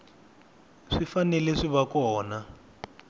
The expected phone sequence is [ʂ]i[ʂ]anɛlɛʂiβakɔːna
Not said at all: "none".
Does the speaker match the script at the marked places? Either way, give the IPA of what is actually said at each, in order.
ʂ, f

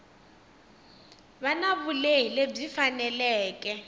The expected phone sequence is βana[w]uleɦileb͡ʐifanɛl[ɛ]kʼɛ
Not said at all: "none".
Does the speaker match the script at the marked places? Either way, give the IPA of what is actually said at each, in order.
β, ɛː

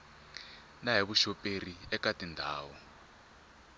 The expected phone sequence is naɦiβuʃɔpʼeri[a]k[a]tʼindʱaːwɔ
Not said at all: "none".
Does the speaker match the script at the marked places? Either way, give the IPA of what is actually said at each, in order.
ɛ, a

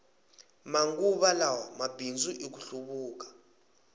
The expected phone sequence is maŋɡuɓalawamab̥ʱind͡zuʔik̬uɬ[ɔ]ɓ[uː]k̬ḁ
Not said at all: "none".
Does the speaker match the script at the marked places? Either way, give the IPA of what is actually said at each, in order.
u, uː

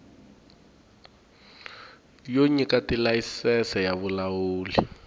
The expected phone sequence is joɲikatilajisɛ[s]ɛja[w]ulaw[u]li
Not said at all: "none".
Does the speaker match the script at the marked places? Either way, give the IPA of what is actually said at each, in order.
s, β, uː

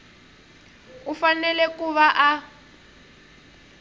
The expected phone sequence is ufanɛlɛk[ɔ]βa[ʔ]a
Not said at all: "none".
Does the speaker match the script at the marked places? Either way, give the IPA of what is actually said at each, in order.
u, ʔ

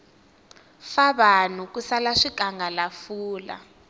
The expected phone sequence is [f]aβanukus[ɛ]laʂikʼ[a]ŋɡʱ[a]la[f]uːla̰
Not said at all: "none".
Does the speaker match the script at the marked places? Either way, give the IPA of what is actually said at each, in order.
f, a, a, a, f

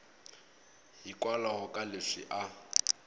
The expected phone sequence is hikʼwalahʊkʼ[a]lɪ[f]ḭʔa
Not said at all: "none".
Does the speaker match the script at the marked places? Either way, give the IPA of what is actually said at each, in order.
a, ʂ

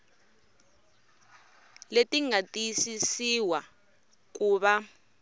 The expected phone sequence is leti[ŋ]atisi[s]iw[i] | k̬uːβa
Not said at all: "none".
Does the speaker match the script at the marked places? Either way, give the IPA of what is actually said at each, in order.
ŋ, s, a

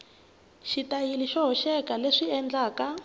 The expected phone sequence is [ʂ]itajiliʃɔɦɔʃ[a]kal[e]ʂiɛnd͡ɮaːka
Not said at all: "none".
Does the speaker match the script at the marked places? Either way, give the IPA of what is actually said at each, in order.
ʃ, ɛ, e

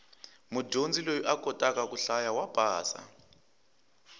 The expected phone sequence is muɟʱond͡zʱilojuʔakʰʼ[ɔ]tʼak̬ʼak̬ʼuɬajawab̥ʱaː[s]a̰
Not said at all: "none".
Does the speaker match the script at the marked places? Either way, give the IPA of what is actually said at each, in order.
ɔ, s

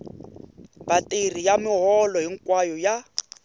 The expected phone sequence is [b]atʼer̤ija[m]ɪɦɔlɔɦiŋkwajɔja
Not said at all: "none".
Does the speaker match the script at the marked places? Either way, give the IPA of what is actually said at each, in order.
b, m

